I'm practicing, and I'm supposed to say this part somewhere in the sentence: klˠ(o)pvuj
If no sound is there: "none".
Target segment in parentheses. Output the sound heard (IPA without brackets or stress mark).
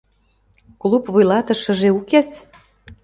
u